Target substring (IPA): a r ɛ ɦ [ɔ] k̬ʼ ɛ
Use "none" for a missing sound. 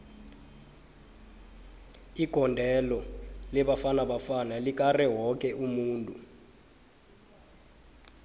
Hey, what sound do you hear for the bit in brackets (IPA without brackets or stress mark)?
ɔ